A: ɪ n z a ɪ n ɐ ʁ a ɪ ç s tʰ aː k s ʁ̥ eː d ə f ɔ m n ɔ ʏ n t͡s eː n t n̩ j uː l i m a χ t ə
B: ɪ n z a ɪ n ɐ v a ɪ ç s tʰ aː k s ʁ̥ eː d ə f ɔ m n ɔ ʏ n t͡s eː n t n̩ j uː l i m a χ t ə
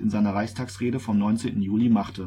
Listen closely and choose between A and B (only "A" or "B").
A